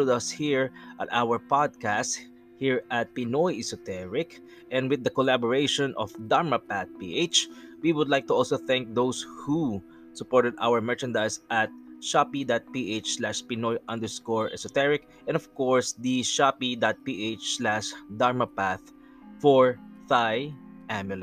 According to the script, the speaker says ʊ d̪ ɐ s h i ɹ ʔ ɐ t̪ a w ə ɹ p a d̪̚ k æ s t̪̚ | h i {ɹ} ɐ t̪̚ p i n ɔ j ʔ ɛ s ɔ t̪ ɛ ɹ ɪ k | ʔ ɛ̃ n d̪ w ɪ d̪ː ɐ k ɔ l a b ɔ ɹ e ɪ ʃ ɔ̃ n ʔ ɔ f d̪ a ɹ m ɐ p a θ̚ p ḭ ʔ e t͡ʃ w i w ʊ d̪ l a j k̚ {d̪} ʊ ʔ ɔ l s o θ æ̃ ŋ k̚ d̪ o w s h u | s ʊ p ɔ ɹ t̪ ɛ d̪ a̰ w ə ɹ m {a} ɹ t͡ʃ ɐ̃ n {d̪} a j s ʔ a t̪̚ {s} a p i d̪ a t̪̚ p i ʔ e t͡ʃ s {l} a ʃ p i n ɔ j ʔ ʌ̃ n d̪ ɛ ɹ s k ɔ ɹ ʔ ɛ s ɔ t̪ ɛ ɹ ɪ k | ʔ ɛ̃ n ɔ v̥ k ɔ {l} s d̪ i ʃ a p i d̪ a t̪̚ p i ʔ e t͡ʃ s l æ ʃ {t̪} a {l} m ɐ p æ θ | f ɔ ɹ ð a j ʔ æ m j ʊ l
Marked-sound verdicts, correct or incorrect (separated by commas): correct, incorrect, incorrect, correct, incorrect, correct, incorrect, incorrect, incorrect